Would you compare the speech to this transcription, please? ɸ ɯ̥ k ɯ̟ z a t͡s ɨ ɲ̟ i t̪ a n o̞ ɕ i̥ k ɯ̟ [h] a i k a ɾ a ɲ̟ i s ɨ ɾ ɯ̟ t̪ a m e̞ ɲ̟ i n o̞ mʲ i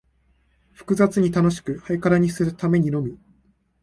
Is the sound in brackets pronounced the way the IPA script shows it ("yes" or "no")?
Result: yes